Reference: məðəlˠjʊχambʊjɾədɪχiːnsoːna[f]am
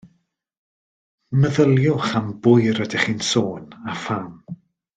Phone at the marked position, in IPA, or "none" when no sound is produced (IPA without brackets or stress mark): f